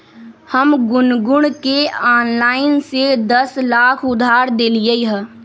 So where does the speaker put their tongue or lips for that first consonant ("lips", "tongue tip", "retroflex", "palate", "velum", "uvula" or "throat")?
throat